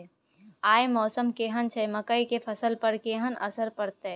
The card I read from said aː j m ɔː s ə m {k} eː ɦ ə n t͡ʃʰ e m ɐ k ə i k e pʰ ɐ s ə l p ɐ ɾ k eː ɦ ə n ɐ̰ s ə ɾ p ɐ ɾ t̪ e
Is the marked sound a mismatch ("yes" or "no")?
no